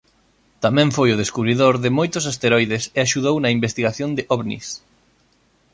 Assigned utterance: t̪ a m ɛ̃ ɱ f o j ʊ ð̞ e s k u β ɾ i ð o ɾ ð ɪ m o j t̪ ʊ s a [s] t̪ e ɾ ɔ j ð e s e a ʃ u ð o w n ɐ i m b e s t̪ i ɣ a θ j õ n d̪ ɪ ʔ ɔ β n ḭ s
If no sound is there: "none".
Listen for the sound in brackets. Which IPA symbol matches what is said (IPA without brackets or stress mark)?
s